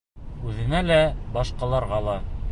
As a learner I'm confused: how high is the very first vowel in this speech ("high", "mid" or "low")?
high